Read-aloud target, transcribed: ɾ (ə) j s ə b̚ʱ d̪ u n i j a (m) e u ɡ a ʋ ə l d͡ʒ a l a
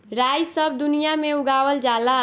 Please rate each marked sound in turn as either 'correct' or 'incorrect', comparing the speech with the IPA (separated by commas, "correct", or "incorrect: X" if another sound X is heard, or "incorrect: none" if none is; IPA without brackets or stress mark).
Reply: incorrect: a, correct